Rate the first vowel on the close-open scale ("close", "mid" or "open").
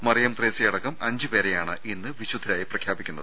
open